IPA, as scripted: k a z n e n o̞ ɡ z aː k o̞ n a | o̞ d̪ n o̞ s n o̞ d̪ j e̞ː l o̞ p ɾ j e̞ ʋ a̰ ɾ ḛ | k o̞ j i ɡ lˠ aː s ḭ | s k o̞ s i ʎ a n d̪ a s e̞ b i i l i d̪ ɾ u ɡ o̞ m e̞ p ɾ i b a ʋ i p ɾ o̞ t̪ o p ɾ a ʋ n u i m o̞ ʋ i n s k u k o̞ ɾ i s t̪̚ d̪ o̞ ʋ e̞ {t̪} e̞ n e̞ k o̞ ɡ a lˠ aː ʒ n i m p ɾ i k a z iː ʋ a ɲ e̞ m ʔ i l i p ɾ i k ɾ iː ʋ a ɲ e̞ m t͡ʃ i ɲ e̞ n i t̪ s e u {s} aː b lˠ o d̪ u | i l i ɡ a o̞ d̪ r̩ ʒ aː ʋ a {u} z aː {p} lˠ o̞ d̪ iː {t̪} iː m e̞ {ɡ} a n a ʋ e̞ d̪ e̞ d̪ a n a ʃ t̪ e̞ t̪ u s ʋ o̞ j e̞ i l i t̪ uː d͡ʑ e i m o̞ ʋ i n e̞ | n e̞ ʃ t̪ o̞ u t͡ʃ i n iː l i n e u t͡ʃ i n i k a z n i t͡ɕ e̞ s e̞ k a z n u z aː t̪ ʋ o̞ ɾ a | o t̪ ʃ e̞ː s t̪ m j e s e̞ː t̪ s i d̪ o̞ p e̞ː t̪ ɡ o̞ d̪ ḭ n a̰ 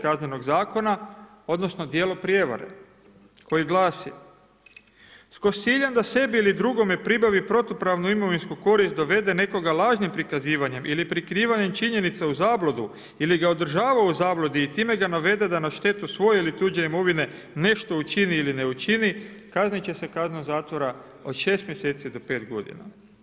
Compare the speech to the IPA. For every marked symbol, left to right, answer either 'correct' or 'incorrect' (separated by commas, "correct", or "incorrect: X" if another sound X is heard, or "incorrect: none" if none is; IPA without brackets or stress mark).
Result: incorrect: d̪, incorrect: z, correct, incorrect: b, correct, correct